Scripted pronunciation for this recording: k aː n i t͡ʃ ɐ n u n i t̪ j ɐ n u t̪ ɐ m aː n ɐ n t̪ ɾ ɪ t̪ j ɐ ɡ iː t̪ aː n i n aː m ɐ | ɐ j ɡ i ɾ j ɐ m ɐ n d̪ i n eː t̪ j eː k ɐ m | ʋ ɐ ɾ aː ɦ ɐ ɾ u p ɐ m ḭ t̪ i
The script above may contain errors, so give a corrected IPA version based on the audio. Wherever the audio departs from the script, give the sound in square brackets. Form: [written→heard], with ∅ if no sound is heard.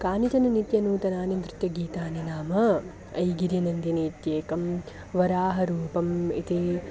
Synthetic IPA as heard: k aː n i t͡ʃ ɐ n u n i t̪ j ɐ n [u→uː] t̪ ɐ [m→n] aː n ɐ n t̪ ɾ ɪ t̪ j ɐ ɡ iː t̪ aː n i n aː m ɐ | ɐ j ɡ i ɾ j ɐ [m→n] ɐ n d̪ i n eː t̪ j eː k ɐ m | ʋ ɐ ɾ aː ɦ ɐ ɾ [u→uː] p ɐ m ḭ t̪ i

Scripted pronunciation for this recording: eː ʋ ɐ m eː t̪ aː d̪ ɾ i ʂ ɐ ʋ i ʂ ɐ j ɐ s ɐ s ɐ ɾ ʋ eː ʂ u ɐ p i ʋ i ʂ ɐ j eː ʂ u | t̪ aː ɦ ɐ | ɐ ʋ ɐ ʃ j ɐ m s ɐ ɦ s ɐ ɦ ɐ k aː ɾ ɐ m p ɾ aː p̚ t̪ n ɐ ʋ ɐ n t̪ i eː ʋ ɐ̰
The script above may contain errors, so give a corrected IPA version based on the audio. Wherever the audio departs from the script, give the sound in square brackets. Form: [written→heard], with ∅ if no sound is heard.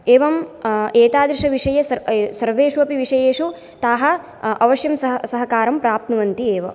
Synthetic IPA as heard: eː ʋ ɐ m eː t̪ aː d̪ ɾ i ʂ ɐ ʋ i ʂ ɐ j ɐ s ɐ s ɐ ɾ ʋ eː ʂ u ɐ p i ʋ i ʂ ɐ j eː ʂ u | t̪ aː ɦ ɐ | ɐ ʋ ɐ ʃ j ɐ m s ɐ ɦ s ɐ ɦ ɐ k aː ɾ ɐ m p ɾ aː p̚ t̪ n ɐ ʋ ɐ n t̪ i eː ʋ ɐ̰

